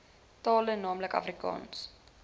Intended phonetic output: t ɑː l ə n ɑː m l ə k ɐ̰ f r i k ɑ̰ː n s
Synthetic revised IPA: t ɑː l ə n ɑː m l ə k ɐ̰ f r i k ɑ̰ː n s

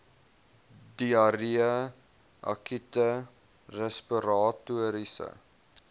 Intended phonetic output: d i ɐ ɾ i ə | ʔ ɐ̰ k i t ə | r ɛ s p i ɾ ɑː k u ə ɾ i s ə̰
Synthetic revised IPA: d i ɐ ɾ i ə | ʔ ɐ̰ k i t ə | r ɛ s p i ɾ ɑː t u ə ɾ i s ə̰

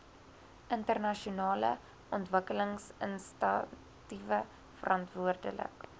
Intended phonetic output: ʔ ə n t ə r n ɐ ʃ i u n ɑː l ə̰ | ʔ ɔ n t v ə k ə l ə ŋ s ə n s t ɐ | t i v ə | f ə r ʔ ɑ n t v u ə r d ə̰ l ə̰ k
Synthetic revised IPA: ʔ ə n t ə r n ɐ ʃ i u n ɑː l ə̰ | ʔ ɔ n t v ə k ə l ə ŋ s ə n s t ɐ | t i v ə | f ə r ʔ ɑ n t v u ə r d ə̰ l ə̰ k

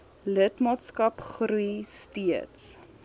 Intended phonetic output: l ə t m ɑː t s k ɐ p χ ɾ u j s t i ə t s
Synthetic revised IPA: l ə t m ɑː t s k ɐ p χ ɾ u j s t i ə t s

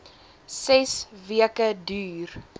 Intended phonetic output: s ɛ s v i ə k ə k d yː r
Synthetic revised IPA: s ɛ s v i ə k ə d yː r

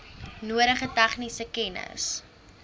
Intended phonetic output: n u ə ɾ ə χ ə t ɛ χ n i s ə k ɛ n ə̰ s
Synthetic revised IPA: n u ə ɾ ə χ ə t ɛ χ n i s ə k ɛ n ə̰ s

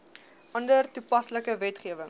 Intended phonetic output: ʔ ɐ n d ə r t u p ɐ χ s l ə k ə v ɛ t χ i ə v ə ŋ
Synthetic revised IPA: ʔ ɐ n d ə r t u p ɐ s l ə k ə v ɛ t χ i ə v ə ŋ

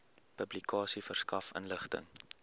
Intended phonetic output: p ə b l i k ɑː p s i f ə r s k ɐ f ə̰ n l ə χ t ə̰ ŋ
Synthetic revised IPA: p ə b l i k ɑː s i f ə r s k ɐ f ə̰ n l ə χ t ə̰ ŋ

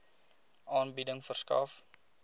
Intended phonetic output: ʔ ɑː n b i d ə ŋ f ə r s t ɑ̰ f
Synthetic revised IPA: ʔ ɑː n b i d ə ŋ f ə r s k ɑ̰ f

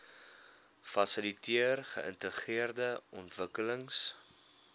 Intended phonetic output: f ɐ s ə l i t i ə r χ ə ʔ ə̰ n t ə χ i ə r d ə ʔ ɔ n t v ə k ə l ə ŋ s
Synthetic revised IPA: f ɐ s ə l i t i ə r χ ə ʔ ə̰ n t ə χ i ə r d ə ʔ ɔ n t v ə k ə l ə ŋ s

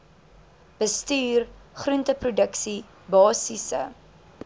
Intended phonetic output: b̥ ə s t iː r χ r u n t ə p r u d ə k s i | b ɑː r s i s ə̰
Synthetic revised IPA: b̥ ə s t yː r χ r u n t ə p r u d ə k s i | b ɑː s i s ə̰

